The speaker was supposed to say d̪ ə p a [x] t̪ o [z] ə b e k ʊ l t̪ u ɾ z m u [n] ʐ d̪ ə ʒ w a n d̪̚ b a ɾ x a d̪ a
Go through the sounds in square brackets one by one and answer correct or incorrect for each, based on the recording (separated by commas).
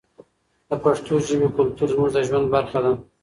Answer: incorrect, incorrect, incorrect